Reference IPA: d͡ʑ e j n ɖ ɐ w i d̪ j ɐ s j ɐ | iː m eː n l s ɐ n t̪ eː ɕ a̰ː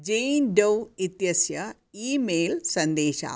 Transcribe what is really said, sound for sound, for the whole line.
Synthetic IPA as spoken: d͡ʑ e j n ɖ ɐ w i t̪ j ɐ s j ɐ | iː m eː l s ɐ n d̪ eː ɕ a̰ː